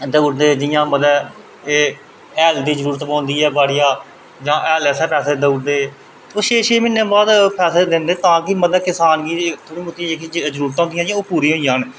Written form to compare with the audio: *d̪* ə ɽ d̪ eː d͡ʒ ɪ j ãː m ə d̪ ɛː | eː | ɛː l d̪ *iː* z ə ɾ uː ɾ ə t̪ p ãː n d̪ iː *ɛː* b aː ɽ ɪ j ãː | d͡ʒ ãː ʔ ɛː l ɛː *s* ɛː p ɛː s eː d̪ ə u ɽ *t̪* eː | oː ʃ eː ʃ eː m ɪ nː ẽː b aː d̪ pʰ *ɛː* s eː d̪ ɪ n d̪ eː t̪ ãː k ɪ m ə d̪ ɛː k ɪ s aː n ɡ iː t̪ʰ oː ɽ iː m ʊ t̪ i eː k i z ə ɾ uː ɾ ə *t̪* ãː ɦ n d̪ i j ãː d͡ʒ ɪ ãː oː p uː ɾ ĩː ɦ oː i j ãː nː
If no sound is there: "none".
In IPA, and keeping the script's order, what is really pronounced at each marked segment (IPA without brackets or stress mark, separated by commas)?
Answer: d̪, iː, ɛː, s, d̪, ɛː, t̪